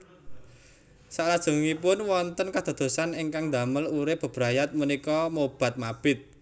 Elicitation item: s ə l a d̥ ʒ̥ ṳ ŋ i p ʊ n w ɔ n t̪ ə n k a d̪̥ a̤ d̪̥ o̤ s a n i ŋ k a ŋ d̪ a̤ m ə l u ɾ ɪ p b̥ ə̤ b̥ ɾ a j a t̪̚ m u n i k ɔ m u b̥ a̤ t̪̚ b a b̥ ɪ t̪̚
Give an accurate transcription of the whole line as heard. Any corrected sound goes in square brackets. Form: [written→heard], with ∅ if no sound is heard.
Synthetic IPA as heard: s [ə→a] l a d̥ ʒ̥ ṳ ŋ i p ʊ n w ɔ n t̪ ə n k a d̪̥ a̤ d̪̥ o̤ s a n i ŋ k a ŋ d̪ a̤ m ə l u ɾ ɪ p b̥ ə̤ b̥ ɾ a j a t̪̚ m u n i k ɔ m [u→o] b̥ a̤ t̪̚ [b→m] a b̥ ɪ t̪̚